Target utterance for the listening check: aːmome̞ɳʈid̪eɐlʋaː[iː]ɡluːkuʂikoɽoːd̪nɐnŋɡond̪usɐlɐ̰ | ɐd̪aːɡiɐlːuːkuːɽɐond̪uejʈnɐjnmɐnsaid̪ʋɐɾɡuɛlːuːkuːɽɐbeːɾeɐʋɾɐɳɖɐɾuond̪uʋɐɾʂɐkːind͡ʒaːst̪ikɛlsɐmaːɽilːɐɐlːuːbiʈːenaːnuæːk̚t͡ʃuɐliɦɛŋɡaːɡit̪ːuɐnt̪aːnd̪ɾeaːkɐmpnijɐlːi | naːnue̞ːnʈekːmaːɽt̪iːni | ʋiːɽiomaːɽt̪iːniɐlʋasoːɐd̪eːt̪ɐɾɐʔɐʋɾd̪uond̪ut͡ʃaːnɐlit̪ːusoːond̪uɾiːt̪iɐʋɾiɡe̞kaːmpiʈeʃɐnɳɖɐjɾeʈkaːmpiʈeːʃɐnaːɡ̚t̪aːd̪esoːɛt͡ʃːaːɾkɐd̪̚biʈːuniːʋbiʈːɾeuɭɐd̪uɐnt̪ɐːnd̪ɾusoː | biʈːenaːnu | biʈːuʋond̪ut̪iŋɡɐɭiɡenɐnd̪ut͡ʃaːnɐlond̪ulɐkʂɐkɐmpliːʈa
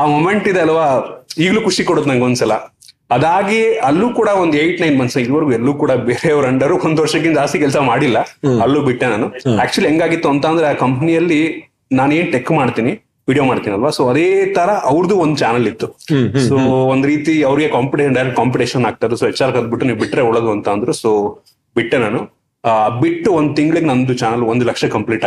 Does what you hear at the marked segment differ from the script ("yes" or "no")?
no